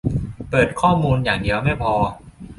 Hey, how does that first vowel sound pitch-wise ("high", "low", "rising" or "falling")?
low